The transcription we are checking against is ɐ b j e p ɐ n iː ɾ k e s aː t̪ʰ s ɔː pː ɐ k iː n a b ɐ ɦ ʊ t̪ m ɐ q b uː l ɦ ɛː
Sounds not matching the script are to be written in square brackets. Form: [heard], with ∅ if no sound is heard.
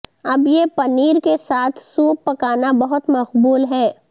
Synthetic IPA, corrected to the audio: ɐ b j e p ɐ n iː ɾ k e s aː t̪ʰ s [uː] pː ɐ k [aː] n a b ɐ ɦ ʊ t̪ m ɐ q b uː l ɦ ɛː

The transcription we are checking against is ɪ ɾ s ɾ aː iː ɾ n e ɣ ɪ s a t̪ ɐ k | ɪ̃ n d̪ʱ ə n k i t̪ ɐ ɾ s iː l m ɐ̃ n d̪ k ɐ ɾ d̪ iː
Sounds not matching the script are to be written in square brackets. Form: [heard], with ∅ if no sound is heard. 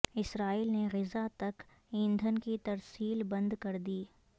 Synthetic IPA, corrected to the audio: ɪ [∅] s ɾ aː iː [l] n e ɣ ɪ [z] a t̪ ɐ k | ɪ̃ n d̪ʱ ə n k i t̪ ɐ ɾ s iː l [b] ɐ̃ n d̪ k ɐ ɾ d̪ iː

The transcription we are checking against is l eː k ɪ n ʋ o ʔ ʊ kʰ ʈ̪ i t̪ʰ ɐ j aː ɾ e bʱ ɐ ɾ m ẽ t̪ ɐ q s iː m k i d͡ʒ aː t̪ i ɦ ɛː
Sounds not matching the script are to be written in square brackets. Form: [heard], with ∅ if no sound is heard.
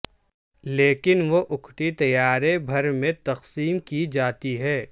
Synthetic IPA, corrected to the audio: l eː k ɪ n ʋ o ʔ ʊ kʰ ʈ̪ i [t̪] ɐ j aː ɾ e bʱ ɐ ɾ m ẽ t̪ ɐ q s iː m k i d͡ʒ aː t̪ i ɦ ɛː

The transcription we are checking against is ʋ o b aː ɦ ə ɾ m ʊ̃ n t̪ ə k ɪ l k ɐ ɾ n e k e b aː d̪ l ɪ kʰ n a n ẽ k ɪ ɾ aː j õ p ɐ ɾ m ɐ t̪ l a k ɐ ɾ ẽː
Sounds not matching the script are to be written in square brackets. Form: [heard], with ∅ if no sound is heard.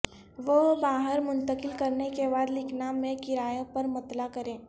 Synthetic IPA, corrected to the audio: ʋ o b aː ɦ ə ɾ m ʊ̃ n t̪ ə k ɪ l k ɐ ɾ n e k e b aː d̪ l ɪ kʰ n a [m] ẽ k ɪ ɾ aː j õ p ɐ ɾ m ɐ t̪ l a k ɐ ɾ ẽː

